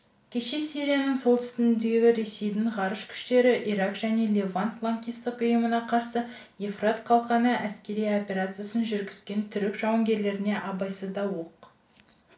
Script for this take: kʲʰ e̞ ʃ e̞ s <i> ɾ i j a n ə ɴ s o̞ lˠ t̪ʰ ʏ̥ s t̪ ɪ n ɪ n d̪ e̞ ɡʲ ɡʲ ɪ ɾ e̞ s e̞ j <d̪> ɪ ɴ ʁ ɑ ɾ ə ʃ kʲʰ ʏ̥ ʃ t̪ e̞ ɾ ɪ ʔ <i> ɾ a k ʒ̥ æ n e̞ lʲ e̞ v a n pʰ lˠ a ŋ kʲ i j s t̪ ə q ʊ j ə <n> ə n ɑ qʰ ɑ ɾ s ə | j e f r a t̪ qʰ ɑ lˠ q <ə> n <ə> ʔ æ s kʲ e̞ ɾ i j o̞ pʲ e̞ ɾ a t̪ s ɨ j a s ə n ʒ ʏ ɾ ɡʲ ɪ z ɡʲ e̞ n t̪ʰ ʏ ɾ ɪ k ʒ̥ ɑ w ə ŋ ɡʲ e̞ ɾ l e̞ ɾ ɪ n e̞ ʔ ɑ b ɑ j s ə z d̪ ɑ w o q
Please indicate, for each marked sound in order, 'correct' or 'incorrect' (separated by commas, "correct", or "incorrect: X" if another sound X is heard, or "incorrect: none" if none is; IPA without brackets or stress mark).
correct, correct, correct, incorrect: m, incorrect: ɑ, correct